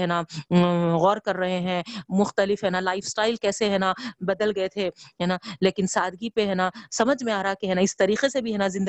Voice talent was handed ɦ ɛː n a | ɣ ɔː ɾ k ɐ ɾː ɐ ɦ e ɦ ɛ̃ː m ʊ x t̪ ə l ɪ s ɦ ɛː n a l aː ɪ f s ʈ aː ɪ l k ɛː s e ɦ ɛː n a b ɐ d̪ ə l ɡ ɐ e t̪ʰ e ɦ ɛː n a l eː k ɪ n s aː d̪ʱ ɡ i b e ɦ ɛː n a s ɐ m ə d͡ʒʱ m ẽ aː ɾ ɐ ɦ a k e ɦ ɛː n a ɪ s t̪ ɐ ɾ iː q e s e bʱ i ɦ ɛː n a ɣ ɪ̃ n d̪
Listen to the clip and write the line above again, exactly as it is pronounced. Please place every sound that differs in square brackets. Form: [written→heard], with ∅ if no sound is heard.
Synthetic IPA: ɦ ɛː n a | ɣ ɔː ɾ k ɐ ɾː ɐ ɦ e ɦ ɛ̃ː m ʊ x t̪ ə l ɪ [s→f] ɦ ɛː n a l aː ɪ f s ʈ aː ɪ l k ɛː s e ɦ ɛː n a b ɐ d̪ ə l ɡ ɐ e t̪ʰ e ɦ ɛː n a l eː k ɪ n s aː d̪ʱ ɡ i [b→p] e ɦ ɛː n a s ɐ m ə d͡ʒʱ m ẽ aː ɾ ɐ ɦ a k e ɦ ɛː n a ɪ s t̪ ɐ ɾ iː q e s e bʱ i ɦ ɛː n a [ɣ→z] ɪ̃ n d̪